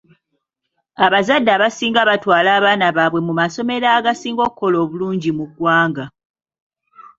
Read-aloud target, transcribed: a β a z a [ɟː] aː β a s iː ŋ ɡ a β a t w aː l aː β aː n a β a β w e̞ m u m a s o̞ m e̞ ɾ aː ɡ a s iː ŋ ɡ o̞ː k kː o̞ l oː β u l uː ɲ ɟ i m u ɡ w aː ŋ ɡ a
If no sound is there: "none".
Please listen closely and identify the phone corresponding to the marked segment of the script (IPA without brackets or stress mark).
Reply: dː